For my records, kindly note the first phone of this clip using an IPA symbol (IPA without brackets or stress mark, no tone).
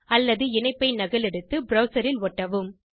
ɐ